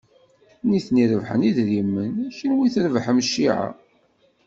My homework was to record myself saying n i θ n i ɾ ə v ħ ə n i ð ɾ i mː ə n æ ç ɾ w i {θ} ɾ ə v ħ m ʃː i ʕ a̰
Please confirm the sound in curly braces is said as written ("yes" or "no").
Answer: yes